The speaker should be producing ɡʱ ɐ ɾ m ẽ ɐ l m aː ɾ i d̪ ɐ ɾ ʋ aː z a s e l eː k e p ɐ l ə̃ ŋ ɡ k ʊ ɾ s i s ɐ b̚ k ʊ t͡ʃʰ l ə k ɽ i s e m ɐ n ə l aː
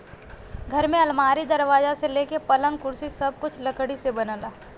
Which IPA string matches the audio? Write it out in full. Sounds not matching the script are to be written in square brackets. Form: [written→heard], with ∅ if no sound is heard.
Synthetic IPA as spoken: ɡʱ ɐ ɾ m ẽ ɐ l m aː ɾ i d̪ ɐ ɾ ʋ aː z a s e l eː k e p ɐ l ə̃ ŋ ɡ k ʊ ɾ s i s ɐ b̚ k ʊ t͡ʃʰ l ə k ɽ i s e [m→b] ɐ n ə l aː